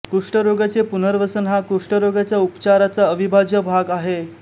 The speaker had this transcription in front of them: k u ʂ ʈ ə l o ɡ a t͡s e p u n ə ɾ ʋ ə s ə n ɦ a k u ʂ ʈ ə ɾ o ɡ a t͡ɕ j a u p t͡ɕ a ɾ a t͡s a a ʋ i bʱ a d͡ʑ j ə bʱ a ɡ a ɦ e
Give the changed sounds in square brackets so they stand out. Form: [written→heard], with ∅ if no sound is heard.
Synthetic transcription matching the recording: k u ʂ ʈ ə [l→ɾ] o ɡ a t͡s e p u n ə ɾ ʋ ə s ə n ɦ a k u ʂ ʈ ə ɾ o ɡ a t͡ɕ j a u p t͡ɕ a ɾ a t͡s a [a→ə] ʋ i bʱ a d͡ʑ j ə bʱ a ɡ a ɦ e